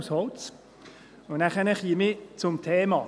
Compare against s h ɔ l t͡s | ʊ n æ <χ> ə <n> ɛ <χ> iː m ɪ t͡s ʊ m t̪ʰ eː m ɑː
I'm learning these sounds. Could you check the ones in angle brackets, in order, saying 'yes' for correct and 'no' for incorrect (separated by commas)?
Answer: yes, yes, yes